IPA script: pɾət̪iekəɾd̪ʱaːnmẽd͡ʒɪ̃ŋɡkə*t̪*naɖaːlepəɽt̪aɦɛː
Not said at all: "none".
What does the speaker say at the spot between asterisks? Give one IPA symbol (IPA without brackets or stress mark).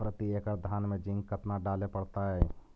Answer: t̪